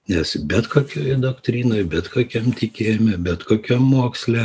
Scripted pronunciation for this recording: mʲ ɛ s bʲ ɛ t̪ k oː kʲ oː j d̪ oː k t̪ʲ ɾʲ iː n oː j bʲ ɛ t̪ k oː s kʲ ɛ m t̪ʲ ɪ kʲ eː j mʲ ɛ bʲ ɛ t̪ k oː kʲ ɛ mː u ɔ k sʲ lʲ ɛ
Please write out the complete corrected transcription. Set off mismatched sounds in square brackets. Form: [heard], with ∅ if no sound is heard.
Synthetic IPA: [nʲ] ɛ s bʲ ɛ t̪ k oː kʲ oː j d̪ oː k t̪ʲ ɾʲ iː n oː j bʲ ɛ t̪ k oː [∅] kʲ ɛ m t̪ʲ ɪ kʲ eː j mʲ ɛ bʲ ɛ t̪ k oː kʲ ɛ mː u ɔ k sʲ lʲ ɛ